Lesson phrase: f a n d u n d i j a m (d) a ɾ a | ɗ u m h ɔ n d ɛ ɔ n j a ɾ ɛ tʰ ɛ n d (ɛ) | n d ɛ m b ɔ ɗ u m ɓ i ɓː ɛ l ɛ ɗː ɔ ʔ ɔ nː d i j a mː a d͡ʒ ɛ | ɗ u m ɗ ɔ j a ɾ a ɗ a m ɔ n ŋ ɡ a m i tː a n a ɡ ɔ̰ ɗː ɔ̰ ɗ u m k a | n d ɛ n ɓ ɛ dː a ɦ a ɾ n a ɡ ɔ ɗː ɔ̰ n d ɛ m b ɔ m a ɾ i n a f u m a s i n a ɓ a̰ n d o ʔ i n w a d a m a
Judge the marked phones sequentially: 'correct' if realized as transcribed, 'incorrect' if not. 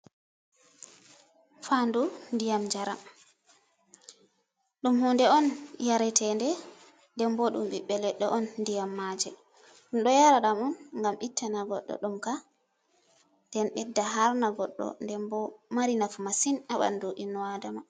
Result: incorrect, correct

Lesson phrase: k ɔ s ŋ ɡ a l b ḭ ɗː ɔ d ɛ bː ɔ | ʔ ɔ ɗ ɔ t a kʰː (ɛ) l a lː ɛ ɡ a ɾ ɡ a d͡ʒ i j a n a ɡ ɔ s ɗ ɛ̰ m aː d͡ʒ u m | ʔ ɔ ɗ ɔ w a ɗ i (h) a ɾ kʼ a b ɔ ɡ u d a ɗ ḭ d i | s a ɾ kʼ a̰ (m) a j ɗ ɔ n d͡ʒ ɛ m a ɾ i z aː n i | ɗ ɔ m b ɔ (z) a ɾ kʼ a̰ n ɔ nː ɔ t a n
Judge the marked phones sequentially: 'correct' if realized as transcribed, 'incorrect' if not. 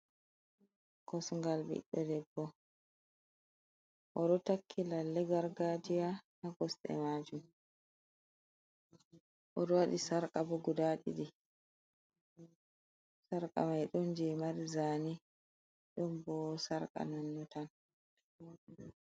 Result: incorrect, incorrect, correct, incorrect

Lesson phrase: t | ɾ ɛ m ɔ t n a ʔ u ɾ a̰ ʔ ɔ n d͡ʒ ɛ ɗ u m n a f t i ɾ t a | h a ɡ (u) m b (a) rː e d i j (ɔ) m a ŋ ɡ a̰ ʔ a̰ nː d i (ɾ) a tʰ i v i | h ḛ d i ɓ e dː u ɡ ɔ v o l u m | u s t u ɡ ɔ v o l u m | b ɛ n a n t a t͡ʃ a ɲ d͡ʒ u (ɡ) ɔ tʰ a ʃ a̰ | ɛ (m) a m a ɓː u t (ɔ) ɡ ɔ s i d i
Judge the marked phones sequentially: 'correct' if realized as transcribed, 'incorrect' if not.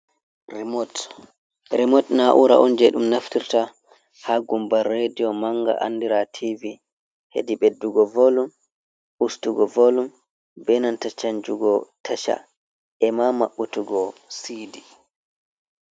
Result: correct, correct, correct, correct, correct, correct, incorrect

